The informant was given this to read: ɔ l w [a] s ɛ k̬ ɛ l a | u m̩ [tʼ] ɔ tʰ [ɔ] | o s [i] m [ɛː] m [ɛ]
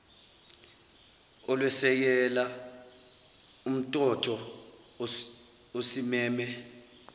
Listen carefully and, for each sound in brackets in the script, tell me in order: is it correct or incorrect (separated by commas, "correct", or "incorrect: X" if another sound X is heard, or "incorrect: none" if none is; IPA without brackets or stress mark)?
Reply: incorrect: ɛ, correct, correct, correct, correct, correct